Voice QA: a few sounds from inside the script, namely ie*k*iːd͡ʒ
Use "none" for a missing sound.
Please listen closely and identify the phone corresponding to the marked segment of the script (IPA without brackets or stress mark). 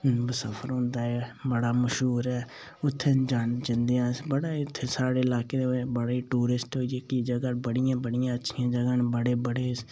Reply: k